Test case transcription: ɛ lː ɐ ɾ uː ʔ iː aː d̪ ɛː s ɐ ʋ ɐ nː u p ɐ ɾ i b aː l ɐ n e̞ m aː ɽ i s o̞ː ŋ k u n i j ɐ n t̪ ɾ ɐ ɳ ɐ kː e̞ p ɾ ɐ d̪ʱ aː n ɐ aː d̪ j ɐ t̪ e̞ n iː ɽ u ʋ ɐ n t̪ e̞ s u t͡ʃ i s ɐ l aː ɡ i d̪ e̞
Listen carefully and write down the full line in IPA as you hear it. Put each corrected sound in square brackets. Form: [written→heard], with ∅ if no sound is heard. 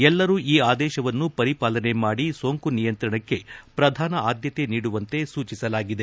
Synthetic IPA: ɛ lː ɐ ɾ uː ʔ iː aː d̪ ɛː [s→ʃ] ɐ ʋ ɐ nː u p ɐ ɾ i [b→p] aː l ɐ n e̞ m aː ɽ i s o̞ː ŋ k u n i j ɐ n t̪ ɾ ɐ ɳ ɐ kː e̞ p ɾ ɐ d̪ʱ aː n ɐ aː d̪ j ɐ t̪ e̞ n iː ɽ u ʋ ɐ n t̪ e̞ s [u→uː] t͡ʃ i s ɐ l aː ɡ i d̪ e̞